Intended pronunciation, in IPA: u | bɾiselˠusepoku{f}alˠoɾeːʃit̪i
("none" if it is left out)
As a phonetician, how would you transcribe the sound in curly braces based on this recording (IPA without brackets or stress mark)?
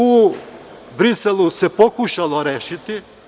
ʃ